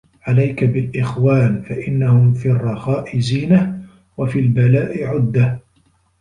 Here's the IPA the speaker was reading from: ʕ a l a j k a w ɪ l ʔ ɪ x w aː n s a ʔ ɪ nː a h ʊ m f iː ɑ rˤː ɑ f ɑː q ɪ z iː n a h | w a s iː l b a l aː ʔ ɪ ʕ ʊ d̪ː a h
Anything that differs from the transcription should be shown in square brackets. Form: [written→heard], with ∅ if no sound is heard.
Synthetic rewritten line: ʕ a l a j k a [w→b] ɪ l ʔ ɪ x w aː n [s→f] a ʔ ɪ nː a h ʊ m f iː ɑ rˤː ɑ [f→x] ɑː [q→ʔ] ɪ z iː n a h | w a [s→f] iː l b a l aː ʔ ɪ ʕ ʊ d̪ː a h